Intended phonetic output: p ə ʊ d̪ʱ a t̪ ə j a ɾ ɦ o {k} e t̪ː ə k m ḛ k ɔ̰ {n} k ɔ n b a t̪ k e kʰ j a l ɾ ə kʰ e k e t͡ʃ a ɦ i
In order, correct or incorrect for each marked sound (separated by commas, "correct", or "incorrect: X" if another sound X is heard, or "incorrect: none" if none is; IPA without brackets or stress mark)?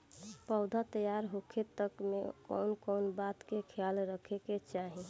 incorrect: kʰ, correct